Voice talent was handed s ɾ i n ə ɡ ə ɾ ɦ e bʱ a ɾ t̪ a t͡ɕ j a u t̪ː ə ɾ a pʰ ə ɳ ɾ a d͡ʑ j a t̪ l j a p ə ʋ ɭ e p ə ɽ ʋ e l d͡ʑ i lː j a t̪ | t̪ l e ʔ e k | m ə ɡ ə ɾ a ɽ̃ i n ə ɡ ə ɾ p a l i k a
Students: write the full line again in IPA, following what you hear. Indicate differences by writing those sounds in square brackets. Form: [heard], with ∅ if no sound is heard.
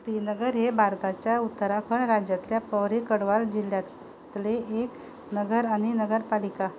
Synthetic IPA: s ɾ i n ə ɡ ə ɾ ɦ e bʱ a ɾ t̪ a t͡ɕ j a u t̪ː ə ɾ a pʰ ə ɳ ɾ a d͡ʑ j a t̪ l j a p ə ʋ [ɾ] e [k] ə ɽ ʋ [a] l d͡ʑ i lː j a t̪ | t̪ l e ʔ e k | [n] ə ɡ ə ɾ a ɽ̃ i n ə ɡ ə ɾ p a l i k a